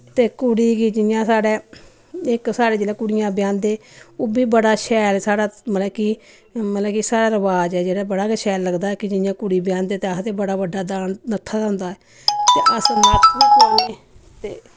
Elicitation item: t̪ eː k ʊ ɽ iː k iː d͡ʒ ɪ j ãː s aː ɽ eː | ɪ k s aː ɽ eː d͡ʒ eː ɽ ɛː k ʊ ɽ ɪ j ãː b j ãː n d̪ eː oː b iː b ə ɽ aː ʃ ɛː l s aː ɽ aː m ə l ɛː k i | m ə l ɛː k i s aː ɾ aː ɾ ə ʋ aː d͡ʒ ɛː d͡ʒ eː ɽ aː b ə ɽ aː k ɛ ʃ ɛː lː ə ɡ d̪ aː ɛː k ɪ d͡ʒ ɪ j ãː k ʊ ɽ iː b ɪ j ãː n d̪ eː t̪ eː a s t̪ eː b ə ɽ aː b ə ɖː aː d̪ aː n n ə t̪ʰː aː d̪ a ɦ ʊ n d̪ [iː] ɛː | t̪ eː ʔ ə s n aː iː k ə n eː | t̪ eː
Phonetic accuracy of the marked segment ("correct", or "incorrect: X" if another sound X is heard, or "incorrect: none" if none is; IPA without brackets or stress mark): incorrect: aː